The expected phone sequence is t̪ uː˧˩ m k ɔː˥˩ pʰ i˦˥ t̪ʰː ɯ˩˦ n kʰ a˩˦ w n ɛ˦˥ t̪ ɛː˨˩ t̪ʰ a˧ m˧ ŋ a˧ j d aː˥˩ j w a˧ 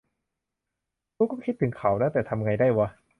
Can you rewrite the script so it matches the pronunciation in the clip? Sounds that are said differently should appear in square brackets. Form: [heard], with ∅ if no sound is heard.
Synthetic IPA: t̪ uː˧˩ [∅] k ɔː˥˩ [kʰ] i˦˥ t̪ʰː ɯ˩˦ [ŋ] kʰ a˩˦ w n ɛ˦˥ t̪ ɛː˨˩ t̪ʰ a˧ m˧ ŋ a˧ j d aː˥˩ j w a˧